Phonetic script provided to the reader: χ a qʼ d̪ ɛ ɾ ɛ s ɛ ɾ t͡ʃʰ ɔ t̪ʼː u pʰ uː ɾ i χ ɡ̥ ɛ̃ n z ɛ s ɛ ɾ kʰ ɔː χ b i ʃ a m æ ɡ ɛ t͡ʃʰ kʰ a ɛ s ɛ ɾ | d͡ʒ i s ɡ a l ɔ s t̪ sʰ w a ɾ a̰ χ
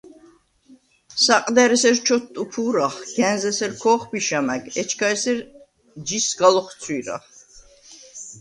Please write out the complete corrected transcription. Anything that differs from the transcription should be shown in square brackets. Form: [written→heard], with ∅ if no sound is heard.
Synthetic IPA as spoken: [χ→s] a qʼ d̪ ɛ ɾ ɛ s ɛ ɾ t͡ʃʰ ɔ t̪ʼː u pʰ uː ɾ [i→a] χ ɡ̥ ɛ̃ n z ɛ s ɛ ɾ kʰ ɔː χ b i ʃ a m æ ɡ ɛ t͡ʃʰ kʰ a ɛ s ɛ ɾ | d͡ʒ i s ɡ a l ɔ [s→χ] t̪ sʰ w [a→i] ɾ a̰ χ

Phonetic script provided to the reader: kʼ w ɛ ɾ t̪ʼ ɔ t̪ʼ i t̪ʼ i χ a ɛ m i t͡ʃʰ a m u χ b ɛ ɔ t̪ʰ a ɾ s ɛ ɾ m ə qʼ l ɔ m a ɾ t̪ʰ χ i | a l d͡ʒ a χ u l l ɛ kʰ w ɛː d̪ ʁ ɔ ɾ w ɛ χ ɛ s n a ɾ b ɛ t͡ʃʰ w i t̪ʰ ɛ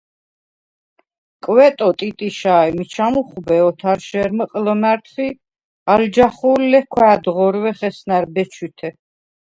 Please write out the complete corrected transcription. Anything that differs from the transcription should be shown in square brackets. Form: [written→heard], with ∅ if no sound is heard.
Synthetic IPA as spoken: kʼ w ɛ [ɾ→∅] t̪ʼ ɔ t̪ʼ i t̪ʼ i [χ→ʃ] a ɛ m i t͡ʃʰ a m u χ b ɛ ɔ t̪ʰ a ɾ [s→ʃ] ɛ ɾ m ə qʼ l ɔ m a ɾ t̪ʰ χ i | a l d͡ʒ a χ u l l ɛ kʰ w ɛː d̪ ʁ ɔ ɾ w ɛ χ ɛ s n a ɾ b ɛ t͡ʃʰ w i t̪ʰ ɛ

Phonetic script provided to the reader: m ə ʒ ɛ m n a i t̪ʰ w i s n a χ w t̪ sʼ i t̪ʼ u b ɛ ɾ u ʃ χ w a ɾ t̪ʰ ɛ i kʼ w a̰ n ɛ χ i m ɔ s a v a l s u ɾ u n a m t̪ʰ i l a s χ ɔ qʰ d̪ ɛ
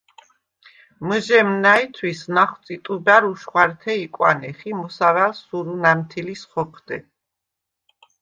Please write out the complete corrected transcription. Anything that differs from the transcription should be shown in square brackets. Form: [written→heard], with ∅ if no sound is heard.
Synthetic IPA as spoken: m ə ʒ ɛ m n a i t̪ʰ w i s n a χ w t̪ sʼ i t̪ʼ u b [ɛ→a] ɾ u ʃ χ w a ɾ t̪ʰ ɛ i kʼ w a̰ n ɛ χ i m ɔ s a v a l s u ɾ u n a m t̪ʰ i l [a→i] s χ ɔ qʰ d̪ ɛ

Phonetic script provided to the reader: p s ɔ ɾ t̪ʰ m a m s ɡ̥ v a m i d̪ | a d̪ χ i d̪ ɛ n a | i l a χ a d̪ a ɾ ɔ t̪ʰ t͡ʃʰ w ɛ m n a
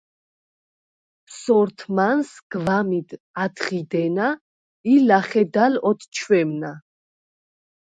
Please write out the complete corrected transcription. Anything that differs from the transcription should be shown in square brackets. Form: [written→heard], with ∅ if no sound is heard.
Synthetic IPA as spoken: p s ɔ ɾ t̪ʰ m a [m→n] s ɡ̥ v a m i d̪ | a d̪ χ i d̪ ɛ n a | i l a χ [a→ɛ] d̪ a [ɾ→l] ɔ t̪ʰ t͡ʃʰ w ɛ m n a

